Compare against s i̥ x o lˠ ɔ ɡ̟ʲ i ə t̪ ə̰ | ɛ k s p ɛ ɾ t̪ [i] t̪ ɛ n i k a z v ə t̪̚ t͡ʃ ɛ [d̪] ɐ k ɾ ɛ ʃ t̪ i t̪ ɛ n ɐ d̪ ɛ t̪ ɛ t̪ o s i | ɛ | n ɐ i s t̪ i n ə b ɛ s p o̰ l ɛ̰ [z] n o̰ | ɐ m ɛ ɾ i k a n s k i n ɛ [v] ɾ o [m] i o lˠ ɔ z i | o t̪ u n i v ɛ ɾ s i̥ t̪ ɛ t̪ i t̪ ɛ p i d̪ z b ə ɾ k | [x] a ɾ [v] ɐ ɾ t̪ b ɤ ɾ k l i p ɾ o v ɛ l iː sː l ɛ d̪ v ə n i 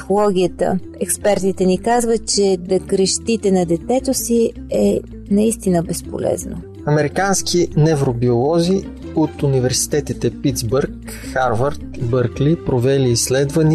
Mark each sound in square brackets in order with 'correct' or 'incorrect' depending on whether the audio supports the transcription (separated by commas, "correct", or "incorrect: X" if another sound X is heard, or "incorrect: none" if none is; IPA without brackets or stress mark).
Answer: correct, correct, correct, correct, incorrect: b, correct, correct